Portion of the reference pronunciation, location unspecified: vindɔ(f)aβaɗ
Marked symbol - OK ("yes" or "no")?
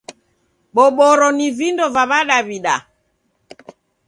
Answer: no